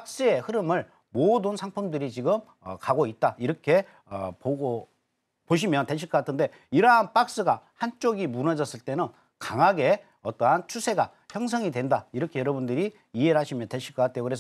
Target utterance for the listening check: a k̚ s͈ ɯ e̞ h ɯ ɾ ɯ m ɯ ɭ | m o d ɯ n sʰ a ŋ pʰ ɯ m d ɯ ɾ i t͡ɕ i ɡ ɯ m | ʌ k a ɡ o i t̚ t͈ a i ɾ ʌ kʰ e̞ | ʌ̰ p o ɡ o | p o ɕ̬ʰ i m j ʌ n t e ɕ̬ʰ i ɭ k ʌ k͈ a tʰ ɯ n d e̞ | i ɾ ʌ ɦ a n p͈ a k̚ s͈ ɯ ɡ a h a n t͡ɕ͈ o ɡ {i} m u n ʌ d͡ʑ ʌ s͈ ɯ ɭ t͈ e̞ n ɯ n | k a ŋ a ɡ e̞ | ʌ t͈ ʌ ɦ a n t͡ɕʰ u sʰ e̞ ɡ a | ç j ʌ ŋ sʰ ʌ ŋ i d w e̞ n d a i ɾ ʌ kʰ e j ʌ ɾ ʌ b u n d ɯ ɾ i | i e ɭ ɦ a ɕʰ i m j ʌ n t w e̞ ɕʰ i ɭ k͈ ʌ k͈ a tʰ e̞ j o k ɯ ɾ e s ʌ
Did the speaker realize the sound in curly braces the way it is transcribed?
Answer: yes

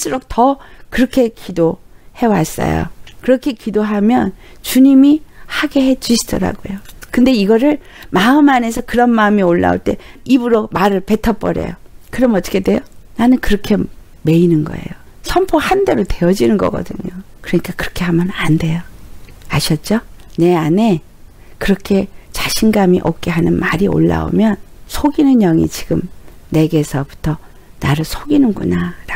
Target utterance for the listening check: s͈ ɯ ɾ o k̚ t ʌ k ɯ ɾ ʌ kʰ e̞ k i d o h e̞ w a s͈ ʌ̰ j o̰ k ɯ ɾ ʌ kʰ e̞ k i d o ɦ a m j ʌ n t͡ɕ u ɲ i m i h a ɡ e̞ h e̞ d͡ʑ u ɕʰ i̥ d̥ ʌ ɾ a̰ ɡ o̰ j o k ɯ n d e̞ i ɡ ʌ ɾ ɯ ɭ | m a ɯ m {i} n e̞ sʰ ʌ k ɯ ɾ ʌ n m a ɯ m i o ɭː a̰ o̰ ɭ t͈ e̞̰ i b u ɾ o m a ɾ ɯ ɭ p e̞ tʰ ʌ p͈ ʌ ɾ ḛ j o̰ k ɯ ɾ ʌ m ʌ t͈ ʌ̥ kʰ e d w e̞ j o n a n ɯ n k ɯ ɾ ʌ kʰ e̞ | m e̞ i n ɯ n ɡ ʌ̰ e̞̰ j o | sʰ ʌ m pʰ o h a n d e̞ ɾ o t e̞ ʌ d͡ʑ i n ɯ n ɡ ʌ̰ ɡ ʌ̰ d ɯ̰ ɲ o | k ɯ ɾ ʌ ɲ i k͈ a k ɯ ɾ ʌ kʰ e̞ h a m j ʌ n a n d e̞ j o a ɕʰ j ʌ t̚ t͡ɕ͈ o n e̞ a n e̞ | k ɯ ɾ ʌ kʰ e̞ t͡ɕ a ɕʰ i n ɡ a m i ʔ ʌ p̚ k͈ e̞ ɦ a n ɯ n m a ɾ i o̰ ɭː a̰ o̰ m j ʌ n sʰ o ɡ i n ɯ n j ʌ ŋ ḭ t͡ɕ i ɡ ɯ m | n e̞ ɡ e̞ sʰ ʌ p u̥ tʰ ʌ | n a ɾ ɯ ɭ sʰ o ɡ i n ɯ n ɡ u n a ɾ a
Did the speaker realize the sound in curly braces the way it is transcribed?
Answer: no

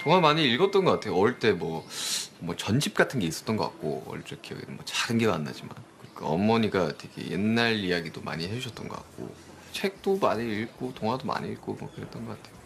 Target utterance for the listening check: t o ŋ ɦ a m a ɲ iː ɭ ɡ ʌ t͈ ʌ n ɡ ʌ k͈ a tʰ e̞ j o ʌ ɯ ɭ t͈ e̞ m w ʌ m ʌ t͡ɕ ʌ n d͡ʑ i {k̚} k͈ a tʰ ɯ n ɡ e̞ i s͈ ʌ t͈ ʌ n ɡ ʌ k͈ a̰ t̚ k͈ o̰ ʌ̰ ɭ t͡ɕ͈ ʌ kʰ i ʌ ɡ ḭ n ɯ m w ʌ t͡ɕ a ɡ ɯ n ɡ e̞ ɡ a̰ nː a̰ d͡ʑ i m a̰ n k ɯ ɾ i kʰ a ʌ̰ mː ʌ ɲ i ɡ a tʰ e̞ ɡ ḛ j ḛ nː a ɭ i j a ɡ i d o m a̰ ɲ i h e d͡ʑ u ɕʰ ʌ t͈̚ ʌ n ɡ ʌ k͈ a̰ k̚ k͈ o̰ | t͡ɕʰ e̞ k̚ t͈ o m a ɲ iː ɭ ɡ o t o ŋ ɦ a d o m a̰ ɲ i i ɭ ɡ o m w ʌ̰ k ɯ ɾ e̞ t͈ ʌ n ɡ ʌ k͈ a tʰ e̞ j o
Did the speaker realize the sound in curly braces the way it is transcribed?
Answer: no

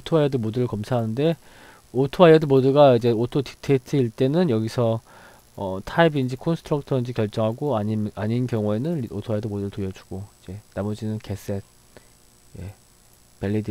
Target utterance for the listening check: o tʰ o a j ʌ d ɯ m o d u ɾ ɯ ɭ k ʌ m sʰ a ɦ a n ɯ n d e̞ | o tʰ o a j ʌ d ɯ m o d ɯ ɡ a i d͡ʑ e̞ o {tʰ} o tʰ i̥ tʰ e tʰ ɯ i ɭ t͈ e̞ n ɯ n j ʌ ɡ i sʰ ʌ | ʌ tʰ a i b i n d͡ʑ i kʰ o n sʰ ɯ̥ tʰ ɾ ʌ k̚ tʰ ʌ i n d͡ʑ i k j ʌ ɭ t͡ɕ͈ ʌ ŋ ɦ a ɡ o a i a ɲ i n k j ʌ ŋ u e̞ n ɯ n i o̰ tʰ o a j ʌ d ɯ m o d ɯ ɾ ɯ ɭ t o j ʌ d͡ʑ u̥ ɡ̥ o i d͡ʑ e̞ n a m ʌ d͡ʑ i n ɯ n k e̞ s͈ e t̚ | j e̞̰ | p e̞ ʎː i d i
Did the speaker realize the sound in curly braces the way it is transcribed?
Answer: yes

